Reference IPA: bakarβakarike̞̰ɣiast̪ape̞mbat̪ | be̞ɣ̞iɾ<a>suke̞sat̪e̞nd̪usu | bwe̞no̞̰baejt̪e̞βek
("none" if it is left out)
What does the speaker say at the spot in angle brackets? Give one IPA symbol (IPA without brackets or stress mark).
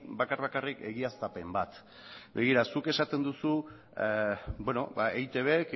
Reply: a